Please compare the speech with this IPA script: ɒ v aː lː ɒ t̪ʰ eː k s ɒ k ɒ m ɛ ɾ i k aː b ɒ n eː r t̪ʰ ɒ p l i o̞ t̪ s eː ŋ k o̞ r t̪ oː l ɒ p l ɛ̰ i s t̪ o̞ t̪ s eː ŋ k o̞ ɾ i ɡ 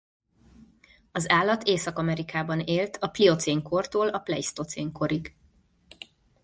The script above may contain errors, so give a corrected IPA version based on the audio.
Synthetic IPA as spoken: ɒ z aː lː ɒ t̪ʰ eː s ɒ k ɒ m ɛ ɾ i k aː b ɒ n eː l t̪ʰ ɒ p l i o̞ t̪ s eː ŋ k o̞ r t̪ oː l ɒ p l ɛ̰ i s t̪ o̞ t̪ s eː ŋ k o̞ ɾ i ɡ